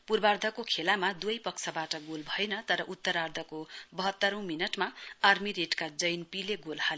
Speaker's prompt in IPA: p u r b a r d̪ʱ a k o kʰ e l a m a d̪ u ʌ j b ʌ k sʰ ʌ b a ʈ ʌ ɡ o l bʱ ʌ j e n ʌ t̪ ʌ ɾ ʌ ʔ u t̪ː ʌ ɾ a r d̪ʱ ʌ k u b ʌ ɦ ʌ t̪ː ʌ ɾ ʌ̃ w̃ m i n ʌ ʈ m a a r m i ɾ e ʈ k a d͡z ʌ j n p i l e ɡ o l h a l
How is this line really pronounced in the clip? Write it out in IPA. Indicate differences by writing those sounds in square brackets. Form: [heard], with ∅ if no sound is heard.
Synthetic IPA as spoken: p u r b a r d̪ʱ [ʌ] k o kʰ e l a m a d̪ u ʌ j [p] ʌ k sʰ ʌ b a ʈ ʌ ɡ o l bʱ ʌ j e n ʌ t̪ ʌ ɾ ʌ ʔ u t̪ː ʌ ɾ a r d̪ʱ ʌ k [o] b ʌ ɦ ʌ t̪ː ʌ ɾ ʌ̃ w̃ m i n ʌ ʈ m a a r m i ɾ e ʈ k a d͡z ʌ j n p i l e ɡ o l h a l